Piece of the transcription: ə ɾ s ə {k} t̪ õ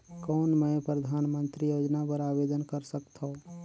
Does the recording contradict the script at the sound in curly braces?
no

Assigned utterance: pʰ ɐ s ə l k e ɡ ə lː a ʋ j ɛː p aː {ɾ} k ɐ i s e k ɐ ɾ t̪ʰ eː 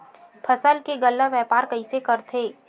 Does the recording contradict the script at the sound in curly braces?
no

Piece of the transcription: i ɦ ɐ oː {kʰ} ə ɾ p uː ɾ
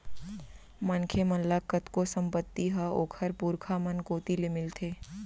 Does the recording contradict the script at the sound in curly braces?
no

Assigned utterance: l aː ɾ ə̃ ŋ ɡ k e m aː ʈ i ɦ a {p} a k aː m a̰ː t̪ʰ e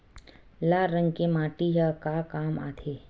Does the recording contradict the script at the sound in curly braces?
yes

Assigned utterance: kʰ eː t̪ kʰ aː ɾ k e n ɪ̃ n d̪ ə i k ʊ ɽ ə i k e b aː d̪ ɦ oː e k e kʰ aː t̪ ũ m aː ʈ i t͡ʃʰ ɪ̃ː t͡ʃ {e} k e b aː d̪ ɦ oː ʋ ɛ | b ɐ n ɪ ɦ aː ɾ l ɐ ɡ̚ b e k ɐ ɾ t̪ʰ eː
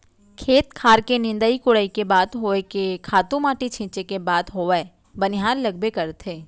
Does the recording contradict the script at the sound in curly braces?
no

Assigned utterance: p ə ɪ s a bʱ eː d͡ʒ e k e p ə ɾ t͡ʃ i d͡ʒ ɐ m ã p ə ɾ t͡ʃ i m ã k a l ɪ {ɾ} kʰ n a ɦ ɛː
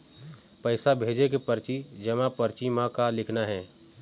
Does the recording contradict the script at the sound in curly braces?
yes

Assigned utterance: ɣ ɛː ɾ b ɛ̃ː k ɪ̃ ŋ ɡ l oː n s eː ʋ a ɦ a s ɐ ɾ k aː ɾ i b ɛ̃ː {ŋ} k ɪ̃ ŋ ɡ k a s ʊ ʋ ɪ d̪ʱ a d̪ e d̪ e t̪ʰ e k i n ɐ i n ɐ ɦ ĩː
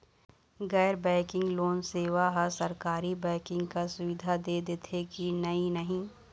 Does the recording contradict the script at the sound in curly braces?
yes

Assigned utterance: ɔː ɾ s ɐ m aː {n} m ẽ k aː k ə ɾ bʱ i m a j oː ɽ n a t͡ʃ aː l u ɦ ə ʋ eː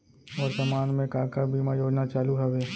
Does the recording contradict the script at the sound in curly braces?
no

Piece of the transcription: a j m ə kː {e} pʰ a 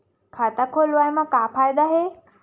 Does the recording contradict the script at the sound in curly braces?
yes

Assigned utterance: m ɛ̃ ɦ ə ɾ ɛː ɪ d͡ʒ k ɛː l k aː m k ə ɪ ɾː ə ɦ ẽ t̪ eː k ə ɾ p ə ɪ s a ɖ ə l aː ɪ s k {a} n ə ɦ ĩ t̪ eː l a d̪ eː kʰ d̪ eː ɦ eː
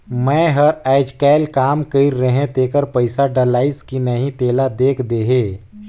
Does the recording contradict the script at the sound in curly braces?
yes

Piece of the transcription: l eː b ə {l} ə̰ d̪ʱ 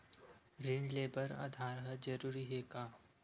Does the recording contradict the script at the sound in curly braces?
yes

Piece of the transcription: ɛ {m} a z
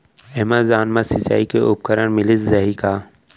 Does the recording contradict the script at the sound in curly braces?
no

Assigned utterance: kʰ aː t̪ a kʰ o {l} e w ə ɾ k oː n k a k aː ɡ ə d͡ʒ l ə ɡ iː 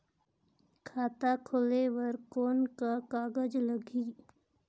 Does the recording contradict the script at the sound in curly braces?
no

